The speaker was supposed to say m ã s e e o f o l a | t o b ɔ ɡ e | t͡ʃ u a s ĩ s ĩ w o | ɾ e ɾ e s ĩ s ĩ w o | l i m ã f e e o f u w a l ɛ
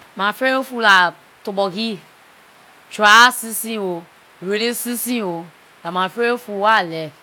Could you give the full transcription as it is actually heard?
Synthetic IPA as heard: m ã f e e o f u l a | t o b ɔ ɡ i | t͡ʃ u a s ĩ s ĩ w o | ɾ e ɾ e s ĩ s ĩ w o | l a m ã f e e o f u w a l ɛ